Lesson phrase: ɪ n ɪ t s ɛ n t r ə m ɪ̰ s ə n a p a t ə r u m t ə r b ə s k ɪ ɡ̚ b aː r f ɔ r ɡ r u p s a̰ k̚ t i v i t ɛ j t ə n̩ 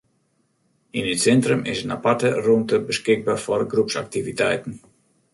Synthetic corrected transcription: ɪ n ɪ t s ɛ n t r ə m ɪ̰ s ə n a p a t ə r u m t ə b ə s k ɪ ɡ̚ b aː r f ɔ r ɡ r u p s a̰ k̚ t i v i t ɛ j t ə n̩